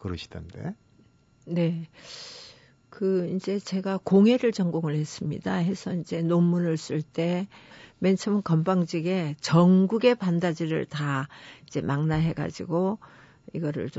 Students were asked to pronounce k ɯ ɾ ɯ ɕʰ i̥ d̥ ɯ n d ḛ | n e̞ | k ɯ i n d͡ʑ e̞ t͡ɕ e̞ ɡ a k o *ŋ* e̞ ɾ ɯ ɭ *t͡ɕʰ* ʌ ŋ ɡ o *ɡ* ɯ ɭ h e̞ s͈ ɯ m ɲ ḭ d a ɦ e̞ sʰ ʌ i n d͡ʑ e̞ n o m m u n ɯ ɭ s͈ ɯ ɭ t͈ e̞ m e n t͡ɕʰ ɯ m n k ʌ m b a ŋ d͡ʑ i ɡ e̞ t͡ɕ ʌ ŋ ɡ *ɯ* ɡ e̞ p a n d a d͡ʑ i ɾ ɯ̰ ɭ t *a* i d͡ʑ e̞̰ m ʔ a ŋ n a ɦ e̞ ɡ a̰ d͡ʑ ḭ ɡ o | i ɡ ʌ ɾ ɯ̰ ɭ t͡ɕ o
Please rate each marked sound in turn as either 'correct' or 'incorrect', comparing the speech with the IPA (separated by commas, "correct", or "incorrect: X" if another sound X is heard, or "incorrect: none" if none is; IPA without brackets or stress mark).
correct, incorrect: t͡ɕ, incorrect: ŋ, incorrect: u, correct